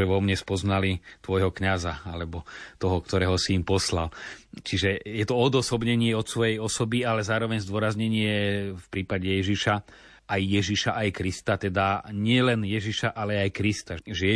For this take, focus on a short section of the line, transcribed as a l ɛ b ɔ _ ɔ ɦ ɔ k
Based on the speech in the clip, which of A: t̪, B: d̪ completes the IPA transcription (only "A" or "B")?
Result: A